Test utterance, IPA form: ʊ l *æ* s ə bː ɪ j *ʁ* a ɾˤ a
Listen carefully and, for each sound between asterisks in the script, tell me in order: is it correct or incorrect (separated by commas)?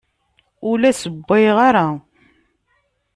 correct, correct